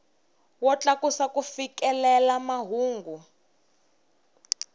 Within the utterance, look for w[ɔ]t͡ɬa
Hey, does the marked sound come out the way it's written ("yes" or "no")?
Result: yes